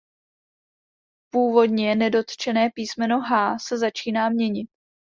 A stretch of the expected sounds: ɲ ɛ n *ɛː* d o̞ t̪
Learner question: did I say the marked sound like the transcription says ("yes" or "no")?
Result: no